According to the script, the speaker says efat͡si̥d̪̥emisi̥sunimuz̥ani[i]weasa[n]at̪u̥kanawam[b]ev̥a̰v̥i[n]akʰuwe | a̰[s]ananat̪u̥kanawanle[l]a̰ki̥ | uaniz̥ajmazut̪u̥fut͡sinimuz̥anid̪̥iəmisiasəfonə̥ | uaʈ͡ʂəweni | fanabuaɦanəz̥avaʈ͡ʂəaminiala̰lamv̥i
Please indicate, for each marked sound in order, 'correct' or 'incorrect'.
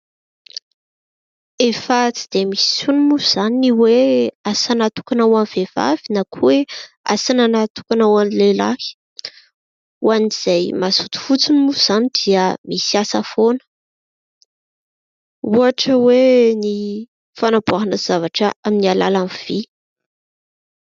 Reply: correct, correct, incorrect: v, correct, correct, correct

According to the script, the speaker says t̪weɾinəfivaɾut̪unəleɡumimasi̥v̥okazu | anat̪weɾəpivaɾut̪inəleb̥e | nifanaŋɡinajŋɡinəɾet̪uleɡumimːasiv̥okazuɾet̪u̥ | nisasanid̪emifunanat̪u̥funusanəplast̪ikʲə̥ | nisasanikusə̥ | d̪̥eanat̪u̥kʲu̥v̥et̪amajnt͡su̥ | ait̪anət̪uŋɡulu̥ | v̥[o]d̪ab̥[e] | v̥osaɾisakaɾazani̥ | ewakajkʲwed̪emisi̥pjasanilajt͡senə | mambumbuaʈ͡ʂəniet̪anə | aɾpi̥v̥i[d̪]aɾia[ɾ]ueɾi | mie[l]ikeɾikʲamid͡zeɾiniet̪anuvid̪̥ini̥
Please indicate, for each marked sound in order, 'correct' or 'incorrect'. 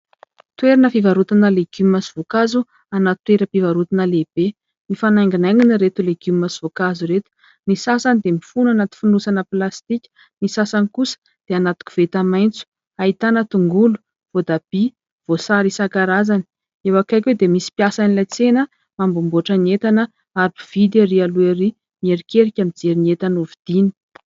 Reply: correct, incorrect: i, correct, incorrect: l, incorrect: ɾ

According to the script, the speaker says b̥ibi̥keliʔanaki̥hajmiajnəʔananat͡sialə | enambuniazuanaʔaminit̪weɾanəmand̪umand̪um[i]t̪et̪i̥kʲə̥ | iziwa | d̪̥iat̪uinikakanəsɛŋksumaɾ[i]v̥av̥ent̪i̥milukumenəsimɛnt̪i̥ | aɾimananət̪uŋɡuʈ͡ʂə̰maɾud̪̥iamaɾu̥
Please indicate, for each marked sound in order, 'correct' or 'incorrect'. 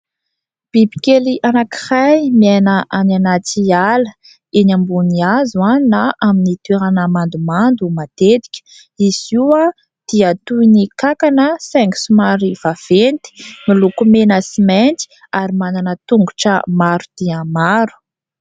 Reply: incorrect: a, correct

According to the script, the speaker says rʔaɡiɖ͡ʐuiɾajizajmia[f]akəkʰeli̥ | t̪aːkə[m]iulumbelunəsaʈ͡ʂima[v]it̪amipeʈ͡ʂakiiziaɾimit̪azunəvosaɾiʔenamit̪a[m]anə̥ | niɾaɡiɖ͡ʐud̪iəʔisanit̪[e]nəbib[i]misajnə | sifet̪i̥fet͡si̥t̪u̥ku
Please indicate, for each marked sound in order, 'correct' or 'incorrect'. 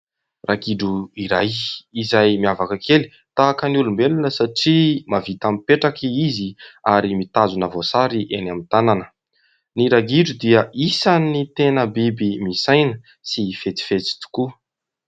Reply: incorrect: v, incorrect: n, correct, incorrect: n, correct, correct

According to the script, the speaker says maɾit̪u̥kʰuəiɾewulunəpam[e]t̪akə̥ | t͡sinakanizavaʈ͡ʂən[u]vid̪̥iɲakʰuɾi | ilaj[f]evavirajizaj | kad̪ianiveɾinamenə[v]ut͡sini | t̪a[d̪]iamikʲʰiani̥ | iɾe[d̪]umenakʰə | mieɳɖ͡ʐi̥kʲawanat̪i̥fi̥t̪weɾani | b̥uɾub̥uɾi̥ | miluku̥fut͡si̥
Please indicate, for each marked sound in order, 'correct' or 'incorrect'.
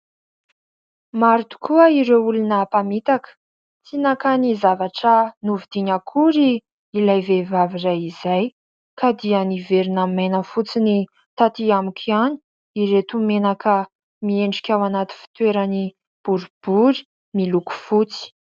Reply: incorrect: i, correct, incorrect: v, incorrect: f, incorrect: t̪, incorrect: t̪

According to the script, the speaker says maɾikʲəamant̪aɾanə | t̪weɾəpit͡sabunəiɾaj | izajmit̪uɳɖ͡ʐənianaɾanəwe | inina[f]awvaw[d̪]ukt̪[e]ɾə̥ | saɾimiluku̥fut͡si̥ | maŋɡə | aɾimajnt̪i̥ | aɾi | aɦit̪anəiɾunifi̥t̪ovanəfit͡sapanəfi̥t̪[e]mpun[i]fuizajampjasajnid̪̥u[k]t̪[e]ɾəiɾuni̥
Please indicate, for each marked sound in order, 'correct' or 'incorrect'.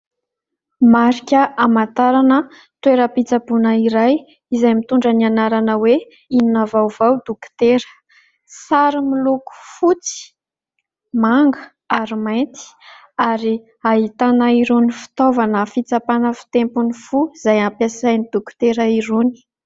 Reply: incorrect: v, correct, correct, correct, correct, correct, correct

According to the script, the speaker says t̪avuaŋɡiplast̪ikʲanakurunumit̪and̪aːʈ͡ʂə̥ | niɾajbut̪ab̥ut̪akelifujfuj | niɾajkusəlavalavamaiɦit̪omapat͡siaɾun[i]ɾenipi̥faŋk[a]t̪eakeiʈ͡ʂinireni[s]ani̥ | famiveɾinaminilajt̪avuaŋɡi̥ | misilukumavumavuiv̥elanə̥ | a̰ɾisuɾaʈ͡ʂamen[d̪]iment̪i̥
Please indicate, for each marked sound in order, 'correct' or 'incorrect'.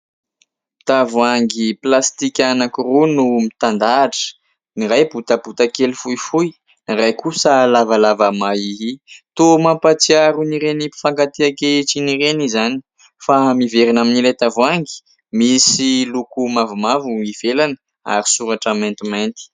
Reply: correct, correct, incorrect: z, incorrect: t̪

